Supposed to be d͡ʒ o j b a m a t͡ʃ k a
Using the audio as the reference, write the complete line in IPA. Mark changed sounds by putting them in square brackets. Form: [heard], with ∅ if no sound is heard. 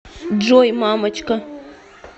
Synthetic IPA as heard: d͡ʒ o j [m] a m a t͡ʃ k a

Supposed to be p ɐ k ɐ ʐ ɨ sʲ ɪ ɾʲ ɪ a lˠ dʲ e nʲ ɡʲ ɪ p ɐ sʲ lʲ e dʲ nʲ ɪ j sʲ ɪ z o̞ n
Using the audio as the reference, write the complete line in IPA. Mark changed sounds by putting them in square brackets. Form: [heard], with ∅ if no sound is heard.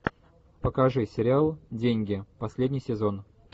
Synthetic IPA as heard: p [ə] k ɐ ʐ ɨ sʲ ɪ ɾʲ ɪ a lˠ dʲ e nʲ ɡʲ ɪ p ɐ sʲ lʲ e dʲ nʲ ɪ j sʲ ɪ z o̞ n

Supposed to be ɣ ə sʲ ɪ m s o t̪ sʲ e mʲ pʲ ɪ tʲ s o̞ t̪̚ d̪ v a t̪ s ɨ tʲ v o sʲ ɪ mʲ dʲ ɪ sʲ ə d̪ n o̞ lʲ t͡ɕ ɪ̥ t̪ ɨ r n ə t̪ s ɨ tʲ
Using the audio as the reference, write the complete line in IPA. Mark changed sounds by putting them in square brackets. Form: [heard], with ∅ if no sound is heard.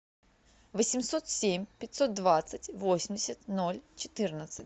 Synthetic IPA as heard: [v] ə sʲ ɪ m s o t̪ sʲ e mʲ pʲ ɪ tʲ s o̞ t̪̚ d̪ v a t̪ s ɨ tʲ v o sʲ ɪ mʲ dʲ ɪ sʲ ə [t̪] n o̞ lʲ t͡ɕ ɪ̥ t̪ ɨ r n ə t̪ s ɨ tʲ

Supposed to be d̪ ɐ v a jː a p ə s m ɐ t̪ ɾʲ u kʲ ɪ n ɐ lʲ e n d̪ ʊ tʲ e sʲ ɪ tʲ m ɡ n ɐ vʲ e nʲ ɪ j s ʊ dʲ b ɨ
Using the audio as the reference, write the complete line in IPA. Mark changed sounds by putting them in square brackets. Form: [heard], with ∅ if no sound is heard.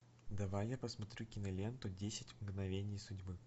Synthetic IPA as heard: d̪ ɐ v a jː a p ə s m ɐ t̪ ɾʲ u kʲ ɪ n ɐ lʲ e n [t̪] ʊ [dʲ] e sʲ ɪ tʲ m ɡ n ɐ vʲ e nʲ ɪ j s ʊ dʲ b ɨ

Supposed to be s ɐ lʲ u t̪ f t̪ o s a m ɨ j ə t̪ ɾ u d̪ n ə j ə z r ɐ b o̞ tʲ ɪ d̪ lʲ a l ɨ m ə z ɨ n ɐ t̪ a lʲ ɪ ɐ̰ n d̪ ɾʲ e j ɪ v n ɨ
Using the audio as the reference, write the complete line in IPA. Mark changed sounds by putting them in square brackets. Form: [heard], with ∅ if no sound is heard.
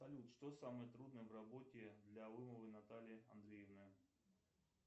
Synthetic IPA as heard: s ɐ lʲ u t̪ [ʂ] t̪ o s a m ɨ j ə t̪ ɾ u d̪ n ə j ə [v] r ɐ b o̞ tʲ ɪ d̪ lʲ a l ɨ m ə [v] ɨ n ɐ t̪ a lʲ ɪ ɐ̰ n d̪ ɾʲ e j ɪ v n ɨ

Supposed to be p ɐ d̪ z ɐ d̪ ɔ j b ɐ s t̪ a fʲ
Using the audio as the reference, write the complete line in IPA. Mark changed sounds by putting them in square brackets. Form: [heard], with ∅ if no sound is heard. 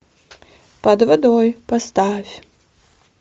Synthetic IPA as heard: p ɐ d̪ [v] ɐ d̪ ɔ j [p] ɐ s t̪ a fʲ

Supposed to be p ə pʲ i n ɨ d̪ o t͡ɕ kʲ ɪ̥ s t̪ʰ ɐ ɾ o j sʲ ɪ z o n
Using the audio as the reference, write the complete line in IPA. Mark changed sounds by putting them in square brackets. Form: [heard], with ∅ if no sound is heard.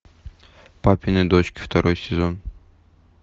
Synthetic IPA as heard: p [a] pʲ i n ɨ d̪ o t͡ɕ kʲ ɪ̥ [f] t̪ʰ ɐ ɾ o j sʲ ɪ z o n

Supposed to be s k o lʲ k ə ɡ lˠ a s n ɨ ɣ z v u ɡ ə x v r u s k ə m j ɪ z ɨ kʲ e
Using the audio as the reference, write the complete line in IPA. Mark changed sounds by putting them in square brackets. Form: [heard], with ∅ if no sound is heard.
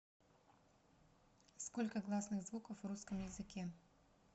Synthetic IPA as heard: s k o lʲ k ə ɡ lˠ a s n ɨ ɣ z v u [k] ə [f] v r u s k ə m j ɪ z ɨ kʲ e

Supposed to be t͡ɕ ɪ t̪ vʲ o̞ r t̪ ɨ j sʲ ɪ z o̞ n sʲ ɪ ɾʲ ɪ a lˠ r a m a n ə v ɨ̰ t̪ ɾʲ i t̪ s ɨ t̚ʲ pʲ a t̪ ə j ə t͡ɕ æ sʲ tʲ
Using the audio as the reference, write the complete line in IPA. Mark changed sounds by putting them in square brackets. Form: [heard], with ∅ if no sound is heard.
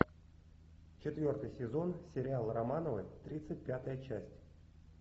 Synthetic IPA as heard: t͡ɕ ɪ t̪ vʲ o̞ r t̪ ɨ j sʲ ɪ z o̞ n sʲ ɪ ɾʲ ɪ a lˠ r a m a n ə v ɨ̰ t̪ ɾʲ i t̪ s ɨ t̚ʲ pʲ a t̪ ə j ə t͡ɕ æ sʲ tʲ

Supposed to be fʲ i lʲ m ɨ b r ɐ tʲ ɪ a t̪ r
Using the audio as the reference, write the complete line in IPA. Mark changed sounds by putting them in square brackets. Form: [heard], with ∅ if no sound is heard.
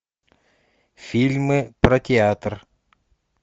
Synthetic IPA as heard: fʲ i lʲ m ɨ [p] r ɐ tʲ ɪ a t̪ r

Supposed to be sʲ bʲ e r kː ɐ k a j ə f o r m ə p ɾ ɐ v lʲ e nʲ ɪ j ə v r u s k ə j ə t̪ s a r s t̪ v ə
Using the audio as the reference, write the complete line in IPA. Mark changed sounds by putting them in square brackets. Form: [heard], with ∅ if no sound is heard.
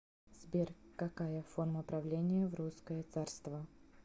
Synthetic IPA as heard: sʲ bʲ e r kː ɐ k a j ə f o r m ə p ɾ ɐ v lʲ e nʲ ɪ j ə v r u s k ə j ə t̪ s a r s t̪ v ə

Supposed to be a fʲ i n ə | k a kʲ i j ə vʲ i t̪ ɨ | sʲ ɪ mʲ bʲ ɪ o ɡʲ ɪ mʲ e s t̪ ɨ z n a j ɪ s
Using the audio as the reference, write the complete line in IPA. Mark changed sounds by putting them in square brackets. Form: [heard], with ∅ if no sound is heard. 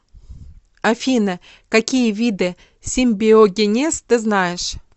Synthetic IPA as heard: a fʲ i n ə | k a kʲ i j ə vʲ i [d̪] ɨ | sʲ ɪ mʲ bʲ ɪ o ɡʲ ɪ [nʲ] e s t̪ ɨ z n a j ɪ [ʂ]

